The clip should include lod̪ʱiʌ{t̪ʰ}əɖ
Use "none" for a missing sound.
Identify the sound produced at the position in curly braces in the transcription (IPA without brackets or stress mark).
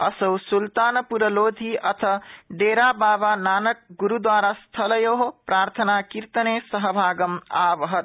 t̪ʰ